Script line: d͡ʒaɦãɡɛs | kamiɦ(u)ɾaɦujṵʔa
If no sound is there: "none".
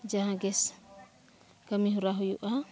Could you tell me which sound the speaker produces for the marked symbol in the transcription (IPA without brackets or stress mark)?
u